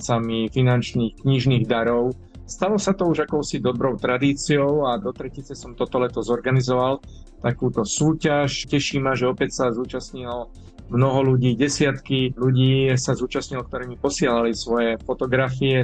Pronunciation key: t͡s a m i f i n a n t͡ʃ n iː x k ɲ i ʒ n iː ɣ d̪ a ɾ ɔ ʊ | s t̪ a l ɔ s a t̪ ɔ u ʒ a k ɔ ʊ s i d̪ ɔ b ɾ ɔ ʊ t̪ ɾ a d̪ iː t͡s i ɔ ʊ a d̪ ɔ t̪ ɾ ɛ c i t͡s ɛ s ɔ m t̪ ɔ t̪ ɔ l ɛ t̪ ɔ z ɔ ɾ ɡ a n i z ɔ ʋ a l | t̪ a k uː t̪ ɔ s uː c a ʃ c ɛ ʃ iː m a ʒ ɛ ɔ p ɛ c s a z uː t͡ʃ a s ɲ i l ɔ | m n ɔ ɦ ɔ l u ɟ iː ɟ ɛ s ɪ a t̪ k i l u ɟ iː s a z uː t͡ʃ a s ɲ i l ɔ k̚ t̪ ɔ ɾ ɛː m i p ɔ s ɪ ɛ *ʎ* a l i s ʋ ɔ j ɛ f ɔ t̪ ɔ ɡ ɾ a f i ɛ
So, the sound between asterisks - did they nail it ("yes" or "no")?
no